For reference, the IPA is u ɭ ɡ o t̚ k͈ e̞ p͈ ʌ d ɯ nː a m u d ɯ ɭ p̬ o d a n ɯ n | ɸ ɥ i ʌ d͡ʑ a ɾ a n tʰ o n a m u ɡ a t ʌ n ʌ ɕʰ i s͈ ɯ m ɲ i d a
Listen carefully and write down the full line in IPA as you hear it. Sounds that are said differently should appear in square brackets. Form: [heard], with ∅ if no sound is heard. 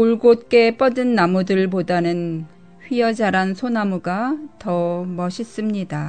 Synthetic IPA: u ɭ ɡ o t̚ k͈ e̞ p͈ ʌ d ɯ nː a m u d ɯ ɭ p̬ o d a n ɯ n | ɸ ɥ i ʌ d͡ʑ a ɾ a n [sʰ] o n a m u ɡ a t ʌ [m] ʌ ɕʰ i s͈ ɯ m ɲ i d a